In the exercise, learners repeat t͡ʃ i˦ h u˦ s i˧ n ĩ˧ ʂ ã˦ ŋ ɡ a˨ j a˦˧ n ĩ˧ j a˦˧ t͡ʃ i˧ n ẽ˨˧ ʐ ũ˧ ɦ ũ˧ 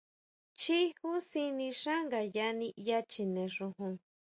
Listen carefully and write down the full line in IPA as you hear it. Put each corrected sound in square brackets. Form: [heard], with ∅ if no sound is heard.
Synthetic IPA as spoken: t͡ʃ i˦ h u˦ s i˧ n ĩ˧ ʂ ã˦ ŋ ɡ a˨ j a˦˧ n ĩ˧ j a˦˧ t͡ʃ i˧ n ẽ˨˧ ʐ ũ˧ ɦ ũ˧